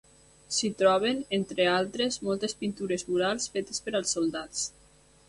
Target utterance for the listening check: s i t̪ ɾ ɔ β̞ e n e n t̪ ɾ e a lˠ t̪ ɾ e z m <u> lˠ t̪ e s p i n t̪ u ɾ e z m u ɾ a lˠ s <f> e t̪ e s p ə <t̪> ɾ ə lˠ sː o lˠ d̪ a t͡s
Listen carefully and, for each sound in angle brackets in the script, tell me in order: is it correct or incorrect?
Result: incorrect: ɔ, correct, incorrect: none

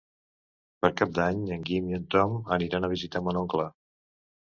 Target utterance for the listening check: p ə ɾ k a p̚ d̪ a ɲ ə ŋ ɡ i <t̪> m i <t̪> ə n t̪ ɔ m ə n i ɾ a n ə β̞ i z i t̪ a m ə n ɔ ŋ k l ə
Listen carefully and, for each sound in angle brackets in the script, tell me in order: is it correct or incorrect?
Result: incorrect: none, incorrect: none

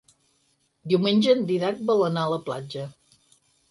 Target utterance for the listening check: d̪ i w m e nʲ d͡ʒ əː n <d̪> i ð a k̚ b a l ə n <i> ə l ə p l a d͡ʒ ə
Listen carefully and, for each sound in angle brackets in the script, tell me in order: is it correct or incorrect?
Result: correct, incorrect: a

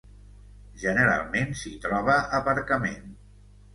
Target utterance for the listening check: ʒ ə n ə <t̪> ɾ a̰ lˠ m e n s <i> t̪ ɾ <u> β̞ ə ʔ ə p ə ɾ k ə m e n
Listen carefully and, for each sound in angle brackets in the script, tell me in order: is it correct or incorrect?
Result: incorrect: none, correct, incorrect: ɔ

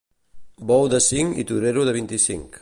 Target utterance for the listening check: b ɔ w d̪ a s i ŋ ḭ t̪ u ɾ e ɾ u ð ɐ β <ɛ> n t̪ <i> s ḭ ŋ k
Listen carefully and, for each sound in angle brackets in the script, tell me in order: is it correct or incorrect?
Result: incorrect: i, correct

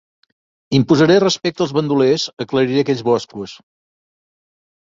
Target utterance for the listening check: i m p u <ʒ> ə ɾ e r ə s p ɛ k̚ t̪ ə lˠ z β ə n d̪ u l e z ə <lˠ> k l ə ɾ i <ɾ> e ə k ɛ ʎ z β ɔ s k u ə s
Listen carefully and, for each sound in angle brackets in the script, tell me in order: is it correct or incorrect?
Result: incorrect: z, incorrect: none, correct

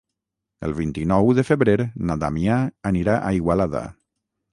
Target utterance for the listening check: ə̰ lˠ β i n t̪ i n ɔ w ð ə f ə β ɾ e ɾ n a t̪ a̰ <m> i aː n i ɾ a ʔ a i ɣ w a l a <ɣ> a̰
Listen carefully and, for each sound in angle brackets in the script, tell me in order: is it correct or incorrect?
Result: correct, incorrect: ð

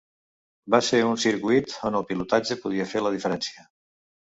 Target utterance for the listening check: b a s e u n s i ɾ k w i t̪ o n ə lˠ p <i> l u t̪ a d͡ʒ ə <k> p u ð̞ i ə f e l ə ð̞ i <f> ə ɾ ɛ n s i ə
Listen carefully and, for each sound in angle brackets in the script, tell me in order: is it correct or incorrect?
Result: correct, incorrect: none, correct

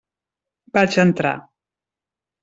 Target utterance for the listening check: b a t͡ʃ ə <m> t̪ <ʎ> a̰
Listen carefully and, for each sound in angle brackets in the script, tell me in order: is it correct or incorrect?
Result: incorrect: n, incorrect: ɾ

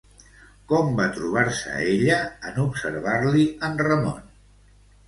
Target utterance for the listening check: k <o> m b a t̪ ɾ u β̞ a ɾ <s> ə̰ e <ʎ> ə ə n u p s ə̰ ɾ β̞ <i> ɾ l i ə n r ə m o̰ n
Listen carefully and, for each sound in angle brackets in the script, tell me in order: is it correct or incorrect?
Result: incorrect: ɔ, correct, correct, incorrect: a

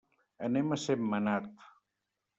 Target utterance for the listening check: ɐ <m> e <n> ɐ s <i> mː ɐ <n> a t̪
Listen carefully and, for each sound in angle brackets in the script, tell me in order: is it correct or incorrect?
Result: incorrect: n, incorrect: m, incorrect: e, correct

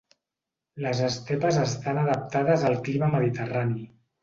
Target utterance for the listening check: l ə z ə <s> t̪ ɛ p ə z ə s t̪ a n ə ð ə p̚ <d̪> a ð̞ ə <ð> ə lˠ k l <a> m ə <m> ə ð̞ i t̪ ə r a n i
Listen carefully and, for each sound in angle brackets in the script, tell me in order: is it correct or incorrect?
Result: correct, incorrect: t̪, incorrect: z, incorrect: i, correct

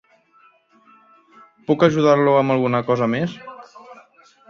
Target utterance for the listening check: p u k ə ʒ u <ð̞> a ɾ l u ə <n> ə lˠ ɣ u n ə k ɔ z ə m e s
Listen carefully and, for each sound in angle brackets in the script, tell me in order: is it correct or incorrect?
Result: correct, incorrect: m

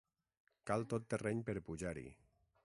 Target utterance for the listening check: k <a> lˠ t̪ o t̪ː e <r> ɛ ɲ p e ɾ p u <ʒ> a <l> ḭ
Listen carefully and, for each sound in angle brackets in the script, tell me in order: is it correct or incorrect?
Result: correct, correct, correct, incorrect: ɾ

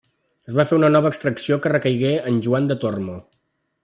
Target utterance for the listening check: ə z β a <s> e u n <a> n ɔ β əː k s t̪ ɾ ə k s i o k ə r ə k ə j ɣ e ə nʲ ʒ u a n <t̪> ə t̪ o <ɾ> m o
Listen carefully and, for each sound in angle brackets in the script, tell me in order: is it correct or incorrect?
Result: incorrect: f, incorrect: ə, incorrect: d̪, incorrect: r

